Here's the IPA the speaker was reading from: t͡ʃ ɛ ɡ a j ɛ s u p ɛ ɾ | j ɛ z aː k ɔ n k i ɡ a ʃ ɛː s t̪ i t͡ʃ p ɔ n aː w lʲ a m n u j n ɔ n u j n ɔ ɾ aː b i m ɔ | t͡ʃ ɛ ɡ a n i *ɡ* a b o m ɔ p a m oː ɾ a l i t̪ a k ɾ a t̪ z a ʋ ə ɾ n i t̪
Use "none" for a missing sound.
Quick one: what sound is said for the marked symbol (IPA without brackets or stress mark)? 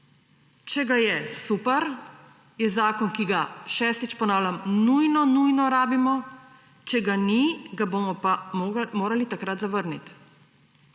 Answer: ɡ